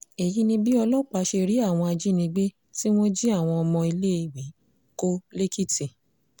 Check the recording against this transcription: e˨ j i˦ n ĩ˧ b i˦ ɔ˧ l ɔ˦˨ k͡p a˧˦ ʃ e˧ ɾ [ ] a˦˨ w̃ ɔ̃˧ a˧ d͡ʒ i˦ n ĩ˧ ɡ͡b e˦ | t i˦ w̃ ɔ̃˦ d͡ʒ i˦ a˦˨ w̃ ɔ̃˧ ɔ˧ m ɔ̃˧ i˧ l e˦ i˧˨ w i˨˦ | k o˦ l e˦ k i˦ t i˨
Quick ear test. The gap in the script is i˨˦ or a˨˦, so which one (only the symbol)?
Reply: i˨˦